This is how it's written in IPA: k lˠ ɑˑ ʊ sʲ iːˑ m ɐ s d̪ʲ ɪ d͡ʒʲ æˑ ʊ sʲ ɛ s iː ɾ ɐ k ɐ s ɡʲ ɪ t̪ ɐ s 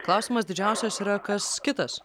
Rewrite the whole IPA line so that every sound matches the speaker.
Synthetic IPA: k lˠ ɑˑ ʊ sʲ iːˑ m ɐ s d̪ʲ ɪ d͡ʒʲ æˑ ʊ sʲ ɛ s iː ɾ ɐ k ɐ s kʲ ɪ t̪ ɐ s